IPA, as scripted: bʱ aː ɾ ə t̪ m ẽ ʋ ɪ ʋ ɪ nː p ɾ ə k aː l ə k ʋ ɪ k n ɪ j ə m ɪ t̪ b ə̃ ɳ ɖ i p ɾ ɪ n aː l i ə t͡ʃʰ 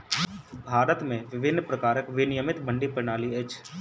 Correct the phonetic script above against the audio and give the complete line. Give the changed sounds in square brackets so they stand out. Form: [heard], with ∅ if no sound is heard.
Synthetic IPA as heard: bʱ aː ɾ ə t̪ m ẽ ʋ ɪ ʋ ɪ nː p ɾ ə k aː [ɾ] ə k ʋ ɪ [∅] n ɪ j ə m ɪ t̪ b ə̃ ɳ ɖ i p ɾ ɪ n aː l i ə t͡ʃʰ